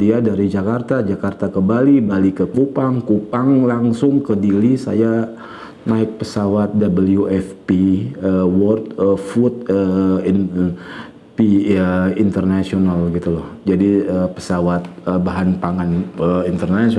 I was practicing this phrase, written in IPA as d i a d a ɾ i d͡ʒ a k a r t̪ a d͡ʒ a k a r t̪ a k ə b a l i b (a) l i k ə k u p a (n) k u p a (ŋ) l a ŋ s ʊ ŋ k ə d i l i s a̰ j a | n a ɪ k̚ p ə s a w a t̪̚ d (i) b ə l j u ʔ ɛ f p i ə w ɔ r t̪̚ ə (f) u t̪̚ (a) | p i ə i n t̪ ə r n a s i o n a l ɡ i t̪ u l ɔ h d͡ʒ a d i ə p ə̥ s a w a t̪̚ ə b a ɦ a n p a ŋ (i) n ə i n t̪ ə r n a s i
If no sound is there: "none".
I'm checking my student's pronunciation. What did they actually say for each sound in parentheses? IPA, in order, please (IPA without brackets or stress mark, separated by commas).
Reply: a, ŋ, ŋ, a, f, ə, a